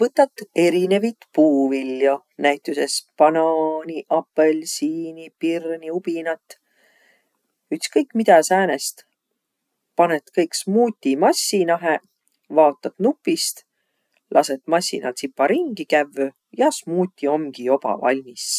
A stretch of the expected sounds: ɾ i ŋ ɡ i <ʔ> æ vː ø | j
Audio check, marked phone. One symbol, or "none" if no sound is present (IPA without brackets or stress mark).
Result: k